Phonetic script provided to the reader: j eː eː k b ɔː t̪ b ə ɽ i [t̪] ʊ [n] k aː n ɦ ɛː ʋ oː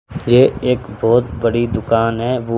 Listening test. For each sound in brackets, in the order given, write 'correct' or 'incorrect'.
incorrect, incorrect

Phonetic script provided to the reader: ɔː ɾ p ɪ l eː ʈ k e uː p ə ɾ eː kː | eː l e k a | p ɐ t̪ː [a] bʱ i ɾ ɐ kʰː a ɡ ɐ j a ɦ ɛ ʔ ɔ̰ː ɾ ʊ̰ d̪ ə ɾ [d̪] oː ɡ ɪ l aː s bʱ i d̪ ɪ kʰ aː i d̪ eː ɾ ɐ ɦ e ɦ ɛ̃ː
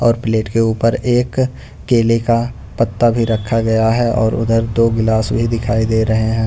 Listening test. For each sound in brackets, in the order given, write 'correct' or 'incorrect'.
correct, correct

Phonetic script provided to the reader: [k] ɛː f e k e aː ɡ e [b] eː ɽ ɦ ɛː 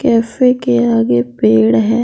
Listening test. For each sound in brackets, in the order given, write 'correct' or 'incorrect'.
correct, incorrect

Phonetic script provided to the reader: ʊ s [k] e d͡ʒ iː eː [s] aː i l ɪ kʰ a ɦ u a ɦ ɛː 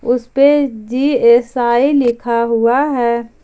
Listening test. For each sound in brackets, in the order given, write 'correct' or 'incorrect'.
incorrect, correct

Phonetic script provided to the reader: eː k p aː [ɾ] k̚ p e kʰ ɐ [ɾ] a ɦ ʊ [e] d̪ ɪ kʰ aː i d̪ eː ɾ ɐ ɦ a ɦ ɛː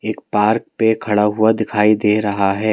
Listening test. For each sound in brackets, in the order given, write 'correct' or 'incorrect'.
correct, incorrect, incorrect

